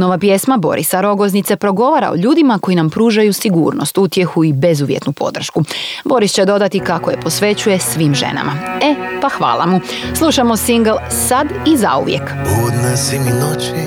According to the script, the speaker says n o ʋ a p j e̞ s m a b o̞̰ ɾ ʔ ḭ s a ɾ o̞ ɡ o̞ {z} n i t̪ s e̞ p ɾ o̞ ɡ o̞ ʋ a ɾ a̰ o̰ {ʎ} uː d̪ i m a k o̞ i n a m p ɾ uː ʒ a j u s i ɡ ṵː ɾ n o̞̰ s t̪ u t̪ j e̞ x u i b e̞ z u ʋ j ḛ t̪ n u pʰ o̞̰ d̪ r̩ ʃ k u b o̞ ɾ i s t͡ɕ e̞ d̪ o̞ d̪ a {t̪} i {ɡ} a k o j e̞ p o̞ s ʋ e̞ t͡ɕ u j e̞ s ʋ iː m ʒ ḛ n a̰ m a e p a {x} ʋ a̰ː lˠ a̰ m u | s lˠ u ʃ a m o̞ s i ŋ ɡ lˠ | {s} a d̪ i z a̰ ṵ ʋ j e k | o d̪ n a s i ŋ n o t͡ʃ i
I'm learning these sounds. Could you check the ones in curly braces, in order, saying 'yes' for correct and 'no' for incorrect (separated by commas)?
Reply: yes, yes, yes, no, yes, yes